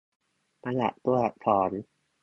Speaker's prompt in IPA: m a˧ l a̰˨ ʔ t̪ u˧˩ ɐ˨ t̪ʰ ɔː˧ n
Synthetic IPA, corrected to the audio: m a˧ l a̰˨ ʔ t̪ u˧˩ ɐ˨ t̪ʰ ɔː˩˦ n